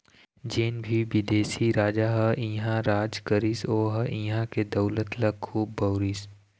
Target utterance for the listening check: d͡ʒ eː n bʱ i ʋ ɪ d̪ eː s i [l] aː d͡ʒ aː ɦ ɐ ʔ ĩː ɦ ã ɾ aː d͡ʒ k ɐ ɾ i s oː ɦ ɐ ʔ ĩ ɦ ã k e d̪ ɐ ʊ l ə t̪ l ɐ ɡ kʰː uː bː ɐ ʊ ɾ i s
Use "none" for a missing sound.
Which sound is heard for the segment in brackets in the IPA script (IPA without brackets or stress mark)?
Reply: ɾ